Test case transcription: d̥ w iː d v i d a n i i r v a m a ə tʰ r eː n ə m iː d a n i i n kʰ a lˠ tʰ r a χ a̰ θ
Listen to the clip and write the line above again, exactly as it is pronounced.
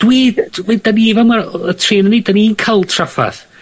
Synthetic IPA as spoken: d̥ w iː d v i d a n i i v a m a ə tʰ r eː n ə n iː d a n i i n kʰ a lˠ tʰ r a f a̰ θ